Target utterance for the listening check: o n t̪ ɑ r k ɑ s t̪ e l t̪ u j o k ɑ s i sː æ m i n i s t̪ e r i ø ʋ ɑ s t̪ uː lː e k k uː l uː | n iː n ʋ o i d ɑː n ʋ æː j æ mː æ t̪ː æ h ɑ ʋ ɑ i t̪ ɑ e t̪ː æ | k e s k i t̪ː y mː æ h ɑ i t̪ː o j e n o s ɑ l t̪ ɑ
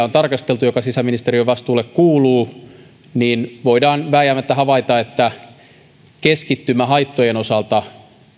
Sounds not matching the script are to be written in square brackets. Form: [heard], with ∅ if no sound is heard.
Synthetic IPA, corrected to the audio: o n t̪ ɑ r k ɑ s t̪ e l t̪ u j o k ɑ s i [s] æ m i n i s t̪ e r i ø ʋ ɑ s t̪ uː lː e k k uː l uː | n iː n ʋ o i d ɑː n ʋ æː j æ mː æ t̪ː æ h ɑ ʋ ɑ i t̪ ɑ e t̪ː æ | k e s k i t̪ː y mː æ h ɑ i t̪ː o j e n o s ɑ l t̪ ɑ